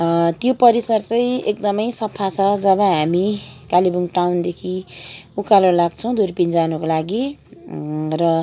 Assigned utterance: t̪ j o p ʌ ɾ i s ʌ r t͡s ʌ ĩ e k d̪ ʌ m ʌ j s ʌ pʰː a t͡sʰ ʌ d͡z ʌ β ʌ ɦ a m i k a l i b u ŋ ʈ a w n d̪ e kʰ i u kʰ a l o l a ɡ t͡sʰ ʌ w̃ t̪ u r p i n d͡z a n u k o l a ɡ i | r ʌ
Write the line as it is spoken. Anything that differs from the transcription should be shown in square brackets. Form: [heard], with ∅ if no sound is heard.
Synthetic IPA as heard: t̪ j o p ʌ ɾ i s ʌ r t͡s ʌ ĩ e k d̪ ʌ m ʌ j s ʌ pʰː a t͡sʰ ʌ d͡z ʌ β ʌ ɦ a m i k a l i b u ŋ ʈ a w n d̪ e kʰ i u [k] a l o l a ɡ t͡sʰ ʌ w̃ [d̪] u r p i n d͡z a n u k o l a ɡ i | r ʌ